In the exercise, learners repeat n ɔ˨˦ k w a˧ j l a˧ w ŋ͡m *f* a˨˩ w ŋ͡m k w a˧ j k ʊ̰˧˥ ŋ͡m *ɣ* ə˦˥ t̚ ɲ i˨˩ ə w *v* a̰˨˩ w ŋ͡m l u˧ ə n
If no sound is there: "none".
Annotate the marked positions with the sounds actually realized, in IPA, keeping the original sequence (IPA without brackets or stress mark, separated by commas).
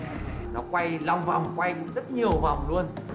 v, z, v